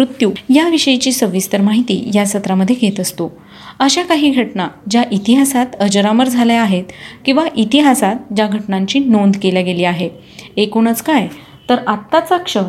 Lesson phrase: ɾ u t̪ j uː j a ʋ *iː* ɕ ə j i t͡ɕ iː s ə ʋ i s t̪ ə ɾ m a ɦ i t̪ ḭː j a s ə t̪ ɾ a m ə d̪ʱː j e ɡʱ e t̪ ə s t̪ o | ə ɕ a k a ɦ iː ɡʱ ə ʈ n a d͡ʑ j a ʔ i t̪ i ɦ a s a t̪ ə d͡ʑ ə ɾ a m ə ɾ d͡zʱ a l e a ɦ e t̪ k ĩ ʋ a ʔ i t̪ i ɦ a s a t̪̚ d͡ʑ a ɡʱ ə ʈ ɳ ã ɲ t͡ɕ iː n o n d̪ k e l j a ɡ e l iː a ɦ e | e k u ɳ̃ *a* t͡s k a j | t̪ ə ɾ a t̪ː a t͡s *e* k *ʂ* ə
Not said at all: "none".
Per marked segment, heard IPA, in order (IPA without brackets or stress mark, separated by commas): i, ə, a, ʂ